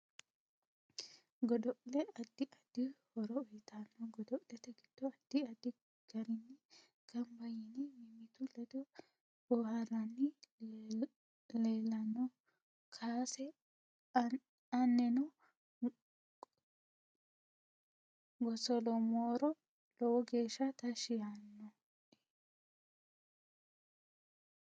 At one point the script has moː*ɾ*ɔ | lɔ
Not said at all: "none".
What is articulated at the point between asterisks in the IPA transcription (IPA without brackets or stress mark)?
ɾ